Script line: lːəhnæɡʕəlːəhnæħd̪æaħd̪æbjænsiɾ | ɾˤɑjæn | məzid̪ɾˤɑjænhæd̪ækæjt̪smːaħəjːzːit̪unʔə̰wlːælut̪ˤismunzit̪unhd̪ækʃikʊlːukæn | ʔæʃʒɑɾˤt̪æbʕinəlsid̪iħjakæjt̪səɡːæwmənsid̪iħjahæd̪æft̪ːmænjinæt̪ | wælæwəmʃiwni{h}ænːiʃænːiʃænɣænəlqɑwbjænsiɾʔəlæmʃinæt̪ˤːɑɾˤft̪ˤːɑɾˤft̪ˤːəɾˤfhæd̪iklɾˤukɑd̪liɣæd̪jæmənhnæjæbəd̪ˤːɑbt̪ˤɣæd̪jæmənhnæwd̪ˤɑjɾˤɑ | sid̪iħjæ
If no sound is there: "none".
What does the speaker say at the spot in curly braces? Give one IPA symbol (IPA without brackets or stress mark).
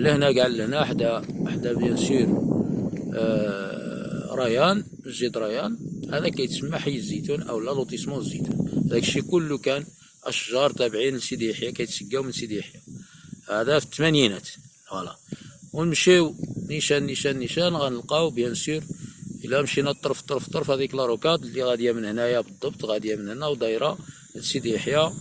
ʃ